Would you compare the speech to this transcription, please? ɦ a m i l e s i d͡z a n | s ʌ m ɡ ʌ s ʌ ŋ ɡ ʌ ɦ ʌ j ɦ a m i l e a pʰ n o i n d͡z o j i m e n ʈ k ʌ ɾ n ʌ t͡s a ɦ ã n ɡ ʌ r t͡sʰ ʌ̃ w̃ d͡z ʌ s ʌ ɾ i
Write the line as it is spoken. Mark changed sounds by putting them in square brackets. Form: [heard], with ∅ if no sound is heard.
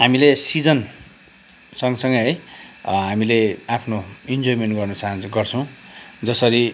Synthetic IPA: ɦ a m i l e s i d͡z [ʌ] n | s ʌ [ŋ] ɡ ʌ s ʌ ŋ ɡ ʌ ɦ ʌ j ɦ a m i l e a pʰ n o i n d͡z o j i m e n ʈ [ɡ] ʌ [r] n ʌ t͡s a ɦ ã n ɡ ʌ r t͡sʰ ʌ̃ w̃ d͡z ʌ s ʌ ɾ i

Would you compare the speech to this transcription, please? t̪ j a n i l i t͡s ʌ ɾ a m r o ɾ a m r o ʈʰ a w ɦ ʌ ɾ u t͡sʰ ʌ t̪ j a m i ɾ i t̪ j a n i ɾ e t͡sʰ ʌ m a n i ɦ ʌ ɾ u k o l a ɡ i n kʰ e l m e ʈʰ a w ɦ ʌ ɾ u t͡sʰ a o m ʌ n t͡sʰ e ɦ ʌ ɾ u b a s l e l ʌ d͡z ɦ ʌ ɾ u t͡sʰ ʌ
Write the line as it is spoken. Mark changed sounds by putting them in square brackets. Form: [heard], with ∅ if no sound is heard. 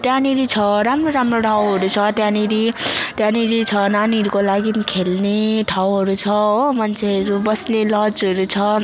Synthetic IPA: t̪ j a n i [ɾ] i [t͡sʰ] ʌ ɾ a m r o ɾ a m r o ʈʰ a w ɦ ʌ ɾ u t͡sʰ ʌ t̪ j a [n] i ɾ i t̪ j a n i ɾ [i] t͡sʰ ʌ [n] a n i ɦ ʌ ɾ u k o l a ɡ i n kʰ e l [n] e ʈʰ a w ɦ ʌ ɾ u t͡sʰ [ʌ] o m ʌ n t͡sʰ e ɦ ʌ ɾ u b [ʌ] s l e l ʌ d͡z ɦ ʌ ɾ u t͡sʰ ʌ

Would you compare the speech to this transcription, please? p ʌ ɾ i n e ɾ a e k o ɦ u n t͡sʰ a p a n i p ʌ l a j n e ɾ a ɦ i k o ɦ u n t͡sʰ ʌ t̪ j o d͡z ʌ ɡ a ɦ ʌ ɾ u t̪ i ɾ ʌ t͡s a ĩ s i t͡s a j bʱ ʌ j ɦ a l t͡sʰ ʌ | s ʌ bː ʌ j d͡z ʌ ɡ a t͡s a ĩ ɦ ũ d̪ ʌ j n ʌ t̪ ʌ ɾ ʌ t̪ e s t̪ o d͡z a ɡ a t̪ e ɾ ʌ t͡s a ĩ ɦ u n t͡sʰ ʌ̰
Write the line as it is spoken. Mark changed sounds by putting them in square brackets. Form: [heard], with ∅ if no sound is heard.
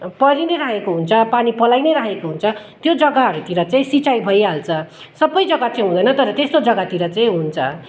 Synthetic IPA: p ʌ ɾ i n e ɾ a e k o ɦ u n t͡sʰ [ʌ] p a n i p ʌ l a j n e ɾ a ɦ [e] k o ɦ u n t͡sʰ ʌ t̪ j o d͡z ʌ ɡ a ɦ ʌ ɾ u t̪ i ɾ ʌ t͡s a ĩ s i t͡s a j bʱ ʌ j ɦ a l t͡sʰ ʌ | s ʌ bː ʌ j d͡z ʌ ɡ a t͡s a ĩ ɦ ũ d̪ ʌ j n ʌ t̪ ʌ ɾ ʌ t̪ e s t̪ o d͡z [ʌ] ɡ a t̪ [i] ɾ ʌ t͡s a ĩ ɦ u n t͡sʰ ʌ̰

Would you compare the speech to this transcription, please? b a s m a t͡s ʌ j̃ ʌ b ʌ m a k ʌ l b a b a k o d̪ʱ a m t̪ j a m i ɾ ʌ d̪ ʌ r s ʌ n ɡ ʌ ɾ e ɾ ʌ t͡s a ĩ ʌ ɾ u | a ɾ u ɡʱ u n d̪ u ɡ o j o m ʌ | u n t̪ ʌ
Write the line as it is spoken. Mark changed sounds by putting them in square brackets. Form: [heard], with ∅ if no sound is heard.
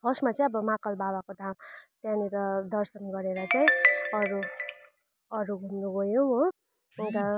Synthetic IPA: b [ʌ] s m a t͡s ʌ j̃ ʌ b ʌ m a k ʌ l b a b a k o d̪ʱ a m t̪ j a [n] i ɾ ʌ d̪ ʌ r s ʌ n ɡ ʌ ɾ e ɾ ʌ t͡s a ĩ ʌ ɾ u | [ʌ] ɾ u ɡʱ u n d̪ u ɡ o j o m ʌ | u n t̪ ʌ

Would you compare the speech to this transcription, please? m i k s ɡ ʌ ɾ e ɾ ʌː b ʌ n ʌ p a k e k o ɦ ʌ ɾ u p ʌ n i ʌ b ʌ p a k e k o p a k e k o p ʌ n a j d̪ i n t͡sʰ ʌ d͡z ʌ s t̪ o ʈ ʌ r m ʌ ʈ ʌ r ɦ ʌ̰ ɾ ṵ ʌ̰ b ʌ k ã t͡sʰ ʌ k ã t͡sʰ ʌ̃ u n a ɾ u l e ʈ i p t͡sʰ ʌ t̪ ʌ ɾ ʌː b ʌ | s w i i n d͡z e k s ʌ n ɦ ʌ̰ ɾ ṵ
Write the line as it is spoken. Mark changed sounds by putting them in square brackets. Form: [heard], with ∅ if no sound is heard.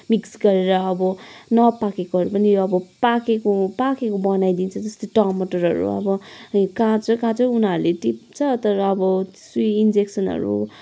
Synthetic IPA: m i k s ɡ ʌ ɾ e ɾ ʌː b ʌ n ʌ p a k e k o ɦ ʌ ɾ u p ʌ n i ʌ b ʌ p a k e k o p a k e k o [b] ʌ n a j d̪ i n t͡sʰ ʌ d͡z ʌ s t̪ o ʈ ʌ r m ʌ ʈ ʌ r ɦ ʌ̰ ɾ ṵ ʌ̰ b ʌ k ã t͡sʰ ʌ k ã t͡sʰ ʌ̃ u n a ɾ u l e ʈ i p t͡sʰ ʌ t̪ ʌ ɾ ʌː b ʌ | s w i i n d͡z e k s ʌ n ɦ ʌ̰ ɾ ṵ

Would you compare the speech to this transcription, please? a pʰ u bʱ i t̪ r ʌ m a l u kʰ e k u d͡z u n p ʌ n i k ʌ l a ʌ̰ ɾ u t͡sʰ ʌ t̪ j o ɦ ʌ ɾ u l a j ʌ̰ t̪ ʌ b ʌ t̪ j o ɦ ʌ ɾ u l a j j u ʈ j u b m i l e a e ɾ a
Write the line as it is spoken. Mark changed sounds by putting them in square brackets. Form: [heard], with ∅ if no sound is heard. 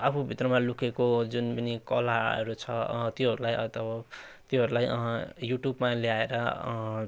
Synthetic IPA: a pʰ u bʱ i t̪ r ʌ m a l u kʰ e k [o] d͡z u n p ʌ n i k ʌ l a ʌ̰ ɾ u t͡sʰ ʌ t̪ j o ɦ ʌ ɾ u l a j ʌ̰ t̪ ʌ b ʌ t̪ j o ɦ ʌ ɾ u l a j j u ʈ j u b m [a] l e a e ɾ [ʌ]

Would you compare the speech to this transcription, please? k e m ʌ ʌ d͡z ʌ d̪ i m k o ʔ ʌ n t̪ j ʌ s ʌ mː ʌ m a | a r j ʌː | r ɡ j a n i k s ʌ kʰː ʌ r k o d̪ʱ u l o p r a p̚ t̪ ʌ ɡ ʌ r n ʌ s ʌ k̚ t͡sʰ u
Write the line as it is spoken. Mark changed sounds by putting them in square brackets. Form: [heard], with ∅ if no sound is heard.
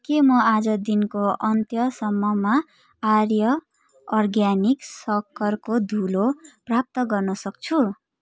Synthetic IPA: k e m ʌ [a] d͡z ʌ d̪ i [n] k o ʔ ʌ n t̪ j ʌ s ʌ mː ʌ m a | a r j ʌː | r ɡ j a n i k s ʌ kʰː ʌ r k o d̪ʱ u l o p r a p̚ t̪ ʌ ɡ ʌ r n ʌ s ʌ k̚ t͡sʰ u

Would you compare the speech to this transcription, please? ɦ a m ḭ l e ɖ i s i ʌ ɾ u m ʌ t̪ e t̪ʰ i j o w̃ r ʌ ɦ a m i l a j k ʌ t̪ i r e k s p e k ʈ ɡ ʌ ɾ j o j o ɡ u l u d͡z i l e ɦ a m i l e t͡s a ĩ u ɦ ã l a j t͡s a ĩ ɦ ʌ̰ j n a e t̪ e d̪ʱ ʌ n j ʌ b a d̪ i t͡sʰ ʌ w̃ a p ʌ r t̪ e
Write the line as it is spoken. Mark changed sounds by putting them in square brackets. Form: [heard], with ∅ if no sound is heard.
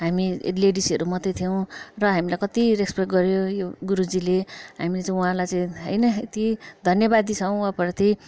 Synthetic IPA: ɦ a m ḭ l e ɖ i s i ʌ ɾ u m ʌ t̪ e t̪ʰ i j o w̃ r ʌ ɦ a m i l a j k ʌ t̪ i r e k s p e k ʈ ɡ ʌ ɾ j o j o ɡ u [ɾ] u d͡z i l e ɦ a m i l e t͡s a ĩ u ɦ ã l a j t͡s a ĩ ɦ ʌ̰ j n [ʌ] e t̪ [i] d̪ʱ ʌ n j ʌ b a d̪ i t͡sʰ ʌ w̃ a p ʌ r t̪ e

